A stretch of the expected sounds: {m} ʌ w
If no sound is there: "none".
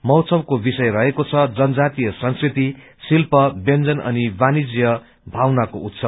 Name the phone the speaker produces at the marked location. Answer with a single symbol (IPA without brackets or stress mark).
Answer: m